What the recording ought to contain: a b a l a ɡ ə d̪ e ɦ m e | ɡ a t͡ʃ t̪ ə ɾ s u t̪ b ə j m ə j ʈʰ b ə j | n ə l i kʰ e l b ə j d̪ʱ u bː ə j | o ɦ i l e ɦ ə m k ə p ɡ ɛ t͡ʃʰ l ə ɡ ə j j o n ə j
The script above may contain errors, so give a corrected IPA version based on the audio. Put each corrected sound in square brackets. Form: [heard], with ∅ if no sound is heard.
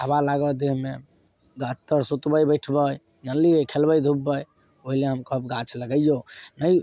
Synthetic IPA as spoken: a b a l a ɡ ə d̪ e ɦ m e | ɡ a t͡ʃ t̪ ə ɾ s u t̪ b ə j [b] ə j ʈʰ b ə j | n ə l i kʰ e l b ə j d̪ʱ u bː ə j | o ɦ i l e ɦ ə m k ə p ɡ [a] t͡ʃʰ l ə ɡ ə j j o n ə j